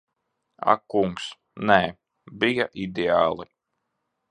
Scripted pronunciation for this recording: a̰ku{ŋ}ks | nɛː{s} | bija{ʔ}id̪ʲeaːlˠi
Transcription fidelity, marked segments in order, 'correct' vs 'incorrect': correct, incorrect, correct

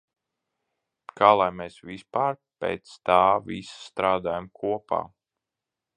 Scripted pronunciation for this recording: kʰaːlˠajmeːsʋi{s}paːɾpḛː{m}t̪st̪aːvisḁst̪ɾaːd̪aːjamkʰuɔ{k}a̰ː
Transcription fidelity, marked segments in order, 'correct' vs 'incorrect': correct, incorrect, incorrect

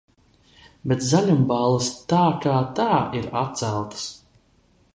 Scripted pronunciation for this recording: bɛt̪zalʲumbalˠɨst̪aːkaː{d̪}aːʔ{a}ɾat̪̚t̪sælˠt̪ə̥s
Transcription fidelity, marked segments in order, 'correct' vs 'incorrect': incorrect, incorrect

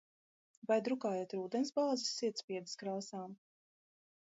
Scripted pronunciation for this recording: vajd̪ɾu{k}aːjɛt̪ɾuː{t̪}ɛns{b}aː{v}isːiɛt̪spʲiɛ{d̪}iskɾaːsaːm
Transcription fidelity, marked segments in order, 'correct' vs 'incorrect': correct, incorrect, correct, incorrect, correct

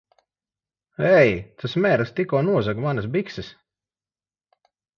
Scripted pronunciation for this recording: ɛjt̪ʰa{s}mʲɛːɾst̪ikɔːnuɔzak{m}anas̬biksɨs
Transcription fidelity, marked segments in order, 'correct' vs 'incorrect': correct, correct

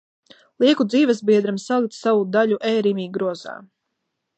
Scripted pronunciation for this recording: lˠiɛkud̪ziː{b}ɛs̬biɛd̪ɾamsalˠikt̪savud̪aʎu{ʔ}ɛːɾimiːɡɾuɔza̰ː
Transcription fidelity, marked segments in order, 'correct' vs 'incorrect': incorrect, correct

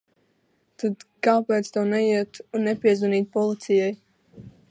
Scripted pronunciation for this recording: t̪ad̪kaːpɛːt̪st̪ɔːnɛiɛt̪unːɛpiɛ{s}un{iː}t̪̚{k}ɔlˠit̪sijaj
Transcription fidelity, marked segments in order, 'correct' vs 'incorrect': incorrect, correct, incorrect

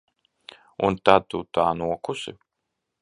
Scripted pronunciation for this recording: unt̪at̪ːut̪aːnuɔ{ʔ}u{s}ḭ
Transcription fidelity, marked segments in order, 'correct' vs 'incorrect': incorrect, correct

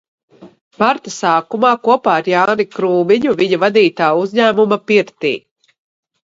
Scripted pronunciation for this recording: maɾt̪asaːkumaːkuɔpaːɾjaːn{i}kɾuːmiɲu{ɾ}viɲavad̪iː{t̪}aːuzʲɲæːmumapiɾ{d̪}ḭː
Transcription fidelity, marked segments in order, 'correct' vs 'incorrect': correct, incorrect, correct, incorrect

